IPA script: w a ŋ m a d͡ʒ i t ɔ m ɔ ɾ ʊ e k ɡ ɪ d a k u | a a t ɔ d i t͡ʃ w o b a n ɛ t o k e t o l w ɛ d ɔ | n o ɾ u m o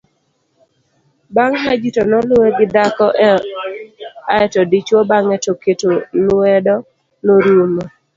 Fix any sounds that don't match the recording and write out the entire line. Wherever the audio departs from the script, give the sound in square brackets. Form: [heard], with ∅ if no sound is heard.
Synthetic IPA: [b] a ŋ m a d͡ʒ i t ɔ [n] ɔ [l] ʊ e [∅] ɡ ɪ d a k [ɔ] | a [ɛ] t ɔ d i t͡ʃ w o b a [ŋ] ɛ t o k e t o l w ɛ d ɔ | n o ɾ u m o